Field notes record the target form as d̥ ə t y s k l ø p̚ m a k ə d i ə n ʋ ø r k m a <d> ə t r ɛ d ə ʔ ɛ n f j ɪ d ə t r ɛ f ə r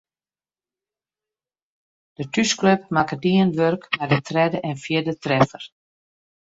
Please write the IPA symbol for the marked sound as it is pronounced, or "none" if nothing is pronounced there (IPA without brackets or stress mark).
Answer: d